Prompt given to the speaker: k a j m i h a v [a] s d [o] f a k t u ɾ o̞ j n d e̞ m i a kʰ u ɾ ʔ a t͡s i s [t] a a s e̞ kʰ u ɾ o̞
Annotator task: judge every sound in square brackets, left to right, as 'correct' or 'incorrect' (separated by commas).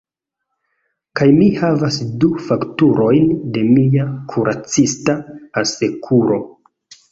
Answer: correct, incorrect, correct